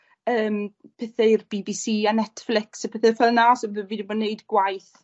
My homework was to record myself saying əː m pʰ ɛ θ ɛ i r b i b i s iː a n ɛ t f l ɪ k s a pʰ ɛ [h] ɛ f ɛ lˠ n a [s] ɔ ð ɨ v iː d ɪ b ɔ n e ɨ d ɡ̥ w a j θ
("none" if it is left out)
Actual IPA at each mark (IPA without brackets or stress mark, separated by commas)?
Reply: θ, s